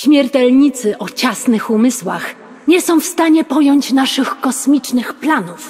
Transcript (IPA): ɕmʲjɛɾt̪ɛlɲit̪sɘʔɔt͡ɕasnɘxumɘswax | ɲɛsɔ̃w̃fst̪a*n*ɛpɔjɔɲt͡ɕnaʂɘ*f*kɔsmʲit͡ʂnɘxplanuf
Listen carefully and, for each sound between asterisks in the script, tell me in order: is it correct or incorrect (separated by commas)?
incorrect, incorrect